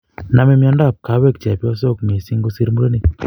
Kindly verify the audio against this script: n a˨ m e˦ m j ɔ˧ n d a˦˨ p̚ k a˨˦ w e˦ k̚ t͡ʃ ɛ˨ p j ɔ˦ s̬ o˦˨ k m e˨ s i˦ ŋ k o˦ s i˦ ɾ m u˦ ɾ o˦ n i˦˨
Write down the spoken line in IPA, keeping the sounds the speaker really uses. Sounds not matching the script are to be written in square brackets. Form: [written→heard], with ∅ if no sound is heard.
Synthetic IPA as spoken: n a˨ m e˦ m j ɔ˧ n d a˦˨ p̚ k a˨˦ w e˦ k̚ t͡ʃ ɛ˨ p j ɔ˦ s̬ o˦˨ k m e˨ s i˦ ŋ [k→ɡ] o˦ s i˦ ɾ m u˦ ɾ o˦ n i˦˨